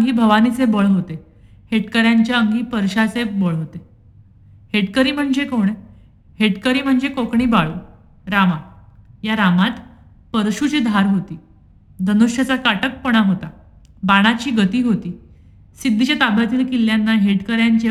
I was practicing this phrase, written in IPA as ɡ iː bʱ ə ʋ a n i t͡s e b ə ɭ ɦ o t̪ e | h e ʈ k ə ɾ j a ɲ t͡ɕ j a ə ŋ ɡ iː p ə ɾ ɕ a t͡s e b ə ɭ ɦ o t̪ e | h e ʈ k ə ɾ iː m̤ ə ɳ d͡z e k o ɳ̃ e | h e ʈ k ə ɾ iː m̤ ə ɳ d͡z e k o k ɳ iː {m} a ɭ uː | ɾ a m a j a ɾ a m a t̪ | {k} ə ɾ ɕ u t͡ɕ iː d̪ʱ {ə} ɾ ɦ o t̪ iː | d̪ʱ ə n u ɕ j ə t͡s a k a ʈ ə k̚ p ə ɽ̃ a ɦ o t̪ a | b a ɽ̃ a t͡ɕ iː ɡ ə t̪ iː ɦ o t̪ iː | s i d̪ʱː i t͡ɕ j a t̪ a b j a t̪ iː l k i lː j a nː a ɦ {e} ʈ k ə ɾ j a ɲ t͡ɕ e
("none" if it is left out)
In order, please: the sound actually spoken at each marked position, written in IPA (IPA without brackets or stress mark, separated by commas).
b, p, a, e